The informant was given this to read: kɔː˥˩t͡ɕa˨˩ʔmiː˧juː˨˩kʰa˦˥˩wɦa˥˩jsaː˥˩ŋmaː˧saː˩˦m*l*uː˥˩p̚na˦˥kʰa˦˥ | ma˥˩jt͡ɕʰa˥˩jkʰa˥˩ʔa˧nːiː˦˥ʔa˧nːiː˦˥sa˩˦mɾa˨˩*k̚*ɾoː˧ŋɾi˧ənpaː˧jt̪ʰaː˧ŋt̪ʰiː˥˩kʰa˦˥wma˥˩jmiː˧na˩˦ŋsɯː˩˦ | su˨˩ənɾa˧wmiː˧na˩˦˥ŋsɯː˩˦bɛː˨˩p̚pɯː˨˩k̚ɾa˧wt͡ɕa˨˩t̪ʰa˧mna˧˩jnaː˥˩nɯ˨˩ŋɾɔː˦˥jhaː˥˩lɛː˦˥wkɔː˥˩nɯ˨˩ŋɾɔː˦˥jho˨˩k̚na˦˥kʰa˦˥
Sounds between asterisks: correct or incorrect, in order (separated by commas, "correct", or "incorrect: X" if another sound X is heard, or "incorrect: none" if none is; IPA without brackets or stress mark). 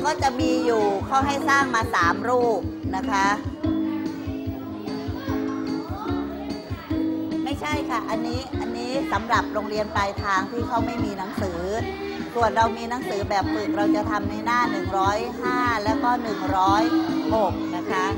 incorrect: ɾ, incorrect: p̚